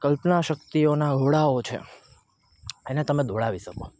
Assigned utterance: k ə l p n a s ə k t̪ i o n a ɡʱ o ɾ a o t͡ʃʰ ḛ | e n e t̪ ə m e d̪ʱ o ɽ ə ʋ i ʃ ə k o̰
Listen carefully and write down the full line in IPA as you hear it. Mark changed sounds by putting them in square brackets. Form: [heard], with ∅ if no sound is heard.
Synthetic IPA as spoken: k ə l p n a [ʃ] ə k t̪ i o n a ɡʱ o [ɽ] a o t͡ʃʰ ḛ | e n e t̪ ə m e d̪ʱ o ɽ [a] ʋ i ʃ ə k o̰